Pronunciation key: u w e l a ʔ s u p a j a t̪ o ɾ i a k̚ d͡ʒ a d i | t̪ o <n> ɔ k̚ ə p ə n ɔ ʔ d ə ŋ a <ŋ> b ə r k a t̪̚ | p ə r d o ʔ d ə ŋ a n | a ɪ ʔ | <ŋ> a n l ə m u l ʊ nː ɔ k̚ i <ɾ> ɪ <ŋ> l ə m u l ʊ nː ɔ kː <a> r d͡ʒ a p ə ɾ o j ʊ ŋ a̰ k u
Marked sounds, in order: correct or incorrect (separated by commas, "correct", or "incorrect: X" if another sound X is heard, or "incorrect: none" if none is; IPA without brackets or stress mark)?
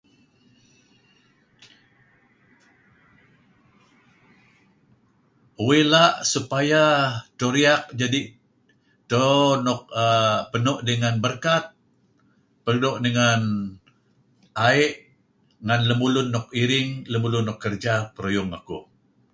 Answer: correct, incorrect: n, correct, correct, correct, incorrect: ə